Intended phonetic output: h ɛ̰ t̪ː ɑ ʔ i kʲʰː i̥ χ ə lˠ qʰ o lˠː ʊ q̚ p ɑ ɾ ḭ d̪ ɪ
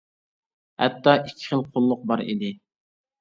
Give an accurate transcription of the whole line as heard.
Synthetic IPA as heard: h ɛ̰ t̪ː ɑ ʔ i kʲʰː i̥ χ ə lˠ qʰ o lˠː ʊ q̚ b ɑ ɾ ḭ d̪ ɪ